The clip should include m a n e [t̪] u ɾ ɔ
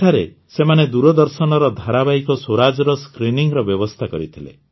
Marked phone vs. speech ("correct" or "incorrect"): incorrect